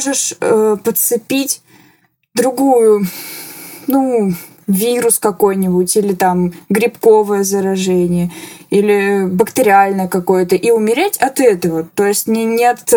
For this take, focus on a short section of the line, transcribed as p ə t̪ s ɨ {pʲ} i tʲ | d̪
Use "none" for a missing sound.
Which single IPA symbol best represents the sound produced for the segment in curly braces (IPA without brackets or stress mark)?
pʲ